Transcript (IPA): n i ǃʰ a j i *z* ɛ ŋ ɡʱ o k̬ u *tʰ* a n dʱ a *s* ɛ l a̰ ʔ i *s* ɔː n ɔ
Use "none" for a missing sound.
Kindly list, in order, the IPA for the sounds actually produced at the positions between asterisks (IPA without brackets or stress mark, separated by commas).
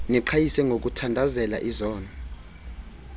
s, tʰ, z, z